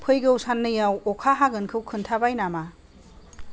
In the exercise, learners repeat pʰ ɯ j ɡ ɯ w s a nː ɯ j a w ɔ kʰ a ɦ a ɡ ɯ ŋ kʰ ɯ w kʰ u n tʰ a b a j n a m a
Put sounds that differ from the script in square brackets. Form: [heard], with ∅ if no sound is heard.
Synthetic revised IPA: pʰ ɯ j ɡ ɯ w s a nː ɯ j a w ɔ kʰ a ɦ a ɡ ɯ [n] kʰ ɯ w kʰ [ɯ] n tʰ a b a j n a m a